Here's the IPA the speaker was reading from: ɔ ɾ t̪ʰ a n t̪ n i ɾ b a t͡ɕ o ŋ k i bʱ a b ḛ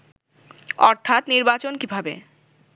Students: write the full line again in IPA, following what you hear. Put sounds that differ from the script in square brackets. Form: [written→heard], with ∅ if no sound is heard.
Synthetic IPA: ɔ ɾ t̪ʰ a [n→∅] t̪ n i ɾ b a t͡ɕ o [ŋ→n] k i bʱ a b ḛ